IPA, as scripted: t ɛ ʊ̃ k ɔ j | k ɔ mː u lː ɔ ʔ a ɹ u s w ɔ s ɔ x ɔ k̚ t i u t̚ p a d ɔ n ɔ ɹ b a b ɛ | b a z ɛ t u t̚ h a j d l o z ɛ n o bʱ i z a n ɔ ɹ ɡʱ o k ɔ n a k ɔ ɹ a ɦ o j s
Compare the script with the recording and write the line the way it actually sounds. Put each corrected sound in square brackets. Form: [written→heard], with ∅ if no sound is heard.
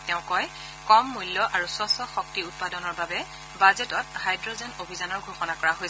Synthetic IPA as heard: t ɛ ʊ̃ k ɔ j | k ɔ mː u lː ɔ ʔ a ɹ u s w ɔ s ɔ x ɔ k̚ t i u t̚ p a d ɔ n ɔ ɹ b a b ɛ | b a z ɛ t [u→ɔ] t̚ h a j d [l→ɹ] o z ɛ n o bʱ i z a n ɔ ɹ ɡʱ o [k→x] ɔ n a k ɔ ɹ a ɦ o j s